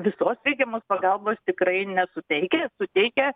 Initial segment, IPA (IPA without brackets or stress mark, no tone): ʋʲ